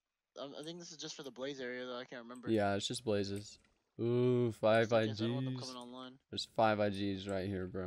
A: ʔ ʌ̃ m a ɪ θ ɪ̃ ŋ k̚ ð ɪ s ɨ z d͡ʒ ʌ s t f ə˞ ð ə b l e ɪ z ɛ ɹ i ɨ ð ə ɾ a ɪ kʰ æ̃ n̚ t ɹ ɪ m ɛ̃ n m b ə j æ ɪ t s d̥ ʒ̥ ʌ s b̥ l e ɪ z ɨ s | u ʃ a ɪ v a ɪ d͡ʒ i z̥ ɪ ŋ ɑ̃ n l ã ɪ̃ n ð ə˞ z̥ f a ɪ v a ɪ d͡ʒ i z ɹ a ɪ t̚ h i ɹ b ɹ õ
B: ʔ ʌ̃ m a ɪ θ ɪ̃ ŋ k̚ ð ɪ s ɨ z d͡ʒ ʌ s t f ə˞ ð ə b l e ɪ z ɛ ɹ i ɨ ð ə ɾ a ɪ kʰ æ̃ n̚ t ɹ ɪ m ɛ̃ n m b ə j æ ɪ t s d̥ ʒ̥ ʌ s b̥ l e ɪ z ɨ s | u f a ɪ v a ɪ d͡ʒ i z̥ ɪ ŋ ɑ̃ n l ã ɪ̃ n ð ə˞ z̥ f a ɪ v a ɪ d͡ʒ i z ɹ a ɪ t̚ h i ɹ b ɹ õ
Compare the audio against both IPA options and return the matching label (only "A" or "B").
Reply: B